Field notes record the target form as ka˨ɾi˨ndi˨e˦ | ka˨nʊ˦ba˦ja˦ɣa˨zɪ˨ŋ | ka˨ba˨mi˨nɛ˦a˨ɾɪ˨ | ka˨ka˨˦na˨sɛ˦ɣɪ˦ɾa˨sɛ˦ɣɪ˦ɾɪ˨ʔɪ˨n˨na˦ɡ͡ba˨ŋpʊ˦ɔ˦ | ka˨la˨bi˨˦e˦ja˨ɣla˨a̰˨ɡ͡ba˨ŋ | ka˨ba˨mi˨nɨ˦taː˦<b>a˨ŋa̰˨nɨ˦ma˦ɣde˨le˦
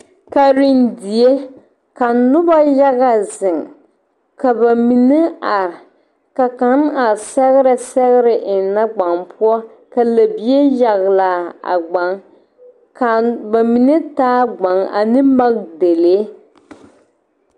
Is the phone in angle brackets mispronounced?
yes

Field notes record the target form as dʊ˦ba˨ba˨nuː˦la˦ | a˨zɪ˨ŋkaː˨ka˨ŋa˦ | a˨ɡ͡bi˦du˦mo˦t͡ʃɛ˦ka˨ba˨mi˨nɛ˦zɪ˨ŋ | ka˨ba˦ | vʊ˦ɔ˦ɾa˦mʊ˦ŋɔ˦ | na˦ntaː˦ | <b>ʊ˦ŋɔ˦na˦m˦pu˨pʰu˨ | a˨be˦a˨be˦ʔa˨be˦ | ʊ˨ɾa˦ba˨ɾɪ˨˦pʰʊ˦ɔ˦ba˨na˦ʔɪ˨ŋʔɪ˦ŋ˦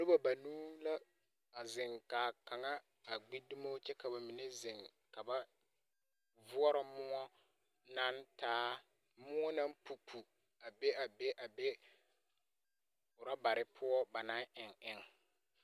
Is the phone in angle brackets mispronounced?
yes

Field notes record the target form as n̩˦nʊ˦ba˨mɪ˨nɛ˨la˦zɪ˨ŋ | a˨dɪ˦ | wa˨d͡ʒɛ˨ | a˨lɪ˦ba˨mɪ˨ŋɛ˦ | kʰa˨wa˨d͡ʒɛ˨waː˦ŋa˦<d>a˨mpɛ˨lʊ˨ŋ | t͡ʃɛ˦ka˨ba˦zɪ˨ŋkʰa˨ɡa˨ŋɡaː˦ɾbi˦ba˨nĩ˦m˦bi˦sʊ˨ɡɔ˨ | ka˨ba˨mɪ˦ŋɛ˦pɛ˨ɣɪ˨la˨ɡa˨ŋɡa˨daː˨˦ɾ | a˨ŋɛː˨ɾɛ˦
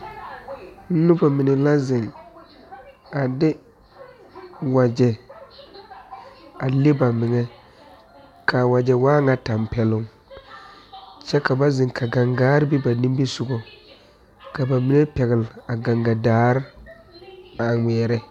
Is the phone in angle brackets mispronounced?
yes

